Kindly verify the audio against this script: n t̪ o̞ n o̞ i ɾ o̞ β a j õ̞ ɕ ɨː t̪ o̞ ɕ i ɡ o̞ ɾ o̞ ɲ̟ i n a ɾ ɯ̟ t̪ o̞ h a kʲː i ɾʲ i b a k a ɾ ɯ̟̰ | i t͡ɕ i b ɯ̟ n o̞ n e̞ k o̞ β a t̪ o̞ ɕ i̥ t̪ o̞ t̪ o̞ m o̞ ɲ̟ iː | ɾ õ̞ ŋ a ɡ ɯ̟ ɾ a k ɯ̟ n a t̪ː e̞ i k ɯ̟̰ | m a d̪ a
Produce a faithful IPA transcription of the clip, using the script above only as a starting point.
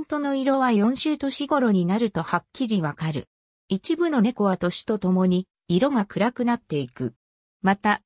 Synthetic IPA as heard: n t̪ o̞ n o̞ i ɾ o̞ β a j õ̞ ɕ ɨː t̪ o̞ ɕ i ɡ o̞ ɾ o̞ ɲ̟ i n a ɾ ɯ̟ t̪ o̞ h a kʲː i ɾʲ i β a k a ɾ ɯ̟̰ | i t͡ɕ i b ɯ̟ n o̞ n e̞ k o̞ β a t̪ o̞ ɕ i̥ t̪ o̞ t̪ o̞ m o̞ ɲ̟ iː | ɾ o̞ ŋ a k ɯ̟ ɾ a k ɯ̟ n a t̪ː e̞ i k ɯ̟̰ | m a t̪ a